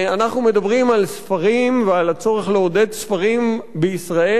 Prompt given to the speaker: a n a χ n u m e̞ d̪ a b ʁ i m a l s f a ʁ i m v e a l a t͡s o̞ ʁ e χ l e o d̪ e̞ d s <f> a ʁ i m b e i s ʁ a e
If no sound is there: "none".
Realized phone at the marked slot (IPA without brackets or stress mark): f